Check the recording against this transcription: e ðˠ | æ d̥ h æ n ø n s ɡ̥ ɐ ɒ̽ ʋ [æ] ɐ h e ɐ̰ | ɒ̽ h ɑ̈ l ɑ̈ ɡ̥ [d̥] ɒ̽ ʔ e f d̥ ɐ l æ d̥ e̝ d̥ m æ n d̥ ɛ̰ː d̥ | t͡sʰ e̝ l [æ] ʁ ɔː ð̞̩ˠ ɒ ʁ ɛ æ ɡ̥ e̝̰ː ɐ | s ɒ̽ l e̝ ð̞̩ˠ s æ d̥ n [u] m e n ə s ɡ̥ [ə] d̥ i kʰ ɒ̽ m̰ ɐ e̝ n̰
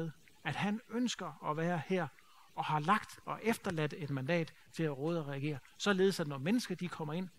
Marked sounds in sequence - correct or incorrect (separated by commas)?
incorrect, correct, correct, incorrect, incorrect